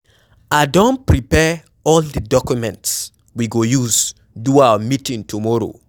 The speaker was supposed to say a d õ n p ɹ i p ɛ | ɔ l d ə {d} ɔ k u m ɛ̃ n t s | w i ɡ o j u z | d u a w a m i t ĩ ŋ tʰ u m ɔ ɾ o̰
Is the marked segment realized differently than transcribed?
no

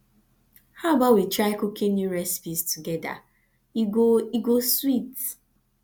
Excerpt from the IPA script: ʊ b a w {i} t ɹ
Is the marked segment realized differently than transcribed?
no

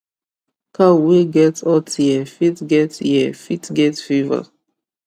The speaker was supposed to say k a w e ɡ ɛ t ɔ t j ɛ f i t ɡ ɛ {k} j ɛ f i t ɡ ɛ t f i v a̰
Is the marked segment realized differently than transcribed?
yes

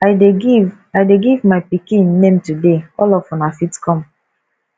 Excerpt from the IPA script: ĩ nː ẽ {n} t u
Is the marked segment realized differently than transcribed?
yes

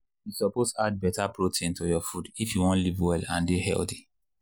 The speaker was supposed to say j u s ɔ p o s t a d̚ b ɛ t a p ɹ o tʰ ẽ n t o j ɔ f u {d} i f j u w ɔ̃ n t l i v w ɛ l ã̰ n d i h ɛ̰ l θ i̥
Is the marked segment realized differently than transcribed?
no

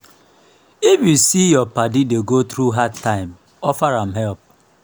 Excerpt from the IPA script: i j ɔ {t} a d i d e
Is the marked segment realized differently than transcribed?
yes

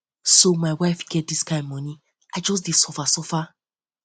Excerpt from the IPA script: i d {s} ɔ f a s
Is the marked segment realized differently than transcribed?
no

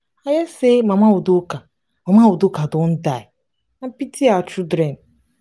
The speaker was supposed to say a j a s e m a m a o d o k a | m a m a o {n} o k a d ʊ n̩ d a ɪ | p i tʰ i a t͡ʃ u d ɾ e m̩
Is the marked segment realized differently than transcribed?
yes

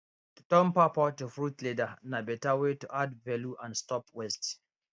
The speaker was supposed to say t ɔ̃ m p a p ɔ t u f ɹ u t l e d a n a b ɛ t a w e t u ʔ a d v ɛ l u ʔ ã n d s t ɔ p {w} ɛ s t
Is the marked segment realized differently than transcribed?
no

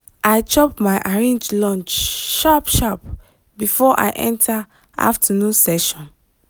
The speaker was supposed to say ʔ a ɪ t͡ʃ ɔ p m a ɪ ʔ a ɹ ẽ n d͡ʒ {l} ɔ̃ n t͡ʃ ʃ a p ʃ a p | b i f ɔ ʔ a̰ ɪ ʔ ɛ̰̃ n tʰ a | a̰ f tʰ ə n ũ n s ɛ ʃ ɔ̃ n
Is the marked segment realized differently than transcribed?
no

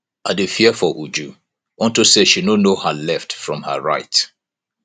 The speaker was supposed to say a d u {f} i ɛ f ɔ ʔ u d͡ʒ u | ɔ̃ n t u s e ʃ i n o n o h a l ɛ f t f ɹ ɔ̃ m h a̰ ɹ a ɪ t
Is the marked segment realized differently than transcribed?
no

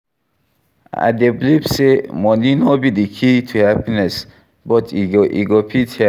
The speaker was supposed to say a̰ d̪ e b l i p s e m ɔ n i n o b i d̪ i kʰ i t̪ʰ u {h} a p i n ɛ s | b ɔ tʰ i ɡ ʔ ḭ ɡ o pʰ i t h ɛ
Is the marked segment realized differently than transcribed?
no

